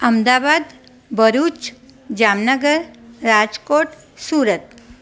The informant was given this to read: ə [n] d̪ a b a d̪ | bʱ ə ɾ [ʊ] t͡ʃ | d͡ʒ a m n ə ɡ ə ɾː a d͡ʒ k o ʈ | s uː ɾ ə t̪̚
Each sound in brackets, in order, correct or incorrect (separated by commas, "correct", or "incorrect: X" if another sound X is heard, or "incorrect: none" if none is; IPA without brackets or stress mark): incorrect: m, incorrect: u